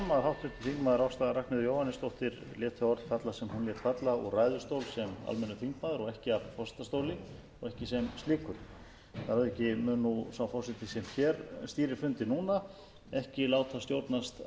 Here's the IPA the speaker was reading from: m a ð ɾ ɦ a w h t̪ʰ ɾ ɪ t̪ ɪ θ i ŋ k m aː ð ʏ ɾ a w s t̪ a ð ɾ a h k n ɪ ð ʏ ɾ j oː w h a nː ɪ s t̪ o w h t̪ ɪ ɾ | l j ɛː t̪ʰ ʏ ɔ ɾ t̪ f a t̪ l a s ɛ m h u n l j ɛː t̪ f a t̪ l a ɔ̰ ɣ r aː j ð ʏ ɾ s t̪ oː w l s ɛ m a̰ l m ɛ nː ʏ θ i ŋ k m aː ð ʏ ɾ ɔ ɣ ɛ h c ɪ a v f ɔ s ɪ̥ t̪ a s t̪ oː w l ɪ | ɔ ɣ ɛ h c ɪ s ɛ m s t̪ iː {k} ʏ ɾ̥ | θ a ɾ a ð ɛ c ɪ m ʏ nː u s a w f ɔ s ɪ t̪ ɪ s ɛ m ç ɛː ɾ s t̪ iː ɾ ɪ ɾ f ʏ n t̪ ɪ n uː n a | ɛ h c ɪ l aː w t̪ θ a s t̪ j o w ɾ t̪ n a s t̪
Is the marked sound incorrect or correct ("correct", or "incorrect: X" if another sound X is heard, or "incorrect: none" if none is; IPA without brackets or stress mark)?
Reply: correct